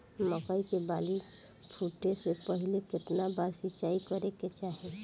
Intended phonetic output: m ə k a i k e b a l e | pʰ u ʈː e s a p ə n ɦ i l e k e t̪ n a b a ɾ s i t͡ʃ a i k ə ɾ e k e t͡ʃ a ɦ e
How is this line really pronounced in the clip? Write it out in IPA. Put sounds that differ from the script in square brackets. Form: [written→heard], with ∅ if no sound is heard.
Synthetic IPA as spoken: m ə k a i k e b a l [e→i] | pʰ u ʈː e s [a→e] p ə [n→∅] ɦ i l e k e t̪ n a b a ɾ s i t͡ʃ a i k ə ɾ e k e t͡ʃ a ɦ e

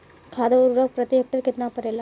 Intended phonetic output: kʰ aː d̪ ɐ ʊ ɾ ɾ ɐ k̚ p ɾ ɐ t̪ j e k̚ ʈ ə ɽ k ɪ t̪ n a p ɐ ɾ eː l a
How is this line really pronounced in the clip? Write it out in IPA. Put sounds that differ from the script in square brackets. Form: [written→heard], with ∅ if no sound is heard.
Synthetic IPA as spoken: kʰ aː d̪ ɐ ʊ ɾ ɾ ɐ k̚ p ɾ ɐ t̪ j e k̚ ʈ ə [ɽ→ɾ] k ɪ t̪ n a p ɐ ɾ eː l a

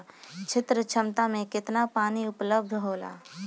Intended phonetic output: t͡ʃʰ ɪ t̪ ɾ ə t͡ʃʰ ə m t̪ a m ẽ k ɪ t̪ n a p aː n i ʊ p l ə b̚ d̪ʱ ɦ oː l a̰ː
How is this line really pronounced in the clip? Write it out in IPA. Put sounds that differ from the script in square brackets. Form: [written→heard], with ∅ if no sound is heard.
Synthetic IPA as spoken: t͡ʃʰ ɪ t̪ ɾ ə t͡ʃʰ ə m t̪ a m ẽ k ɪ t̪ n a p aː n i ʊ p l ə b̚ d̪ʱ ɦ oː l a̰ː

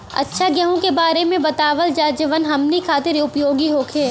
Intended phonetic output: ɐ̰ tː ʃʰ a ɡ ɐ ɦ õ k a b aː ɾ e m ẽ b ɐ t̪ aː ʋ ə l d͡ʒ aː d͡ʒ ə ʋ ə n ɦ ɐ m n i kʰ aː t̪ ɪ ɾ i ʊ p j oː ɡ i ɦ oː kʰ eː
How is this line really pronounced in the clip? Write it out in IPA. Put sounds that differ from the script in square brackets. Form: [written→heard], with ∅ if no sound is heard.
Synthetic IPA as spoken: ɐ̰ tː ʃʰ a ɡ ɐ ɦ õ k [a→e] b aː ɾ e m ẽ b ɐ t̪ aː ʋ ə l d͡ʒ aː d͡ʒ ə ʋ ə n ɦ ɐ m n i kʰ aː t̪ ɪ ɾ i ʊ p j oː ɡ i ɦ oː kʰ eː

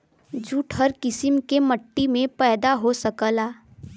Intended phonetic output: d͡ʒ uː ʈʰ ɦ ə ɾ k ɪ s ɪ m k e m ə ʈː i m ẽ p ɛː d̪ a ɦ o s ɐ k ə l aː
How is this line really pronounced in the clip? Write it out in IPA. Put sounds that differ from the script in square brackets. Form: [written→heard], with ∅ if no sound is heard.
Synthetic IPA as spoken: d͡ʒ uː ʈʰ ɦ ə ɾ k ɪ s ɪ m k e m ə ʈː i m ẽ p ɛː d̪ a ɦ o s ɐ k ə l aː

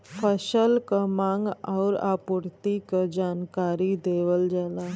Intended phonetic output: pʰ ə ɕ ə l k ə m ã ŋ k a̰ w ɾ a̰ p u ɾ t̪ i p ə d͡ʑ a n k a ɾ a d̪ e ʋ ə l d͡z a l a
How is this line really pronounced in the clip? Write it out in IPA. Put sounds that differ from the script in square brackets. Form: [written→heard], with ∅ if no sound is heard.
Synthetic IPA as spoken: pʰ ə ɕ ə l k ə m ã ŋ [k→ɡ] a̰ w ɾ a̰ p u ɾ t̪ i [p→k] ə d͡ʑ a n k a ɾ [a→i] d̪ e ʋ ə l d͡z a l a

